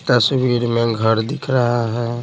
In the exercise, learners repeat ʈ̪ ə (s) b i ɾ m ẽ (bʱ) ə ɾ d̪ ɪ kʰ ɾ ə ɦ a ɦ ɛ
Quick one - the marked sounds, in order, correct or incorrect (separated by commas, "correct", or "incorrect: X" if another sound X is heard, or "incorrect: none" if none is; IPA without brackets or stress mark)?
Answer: correct, incorrect: ɡʱ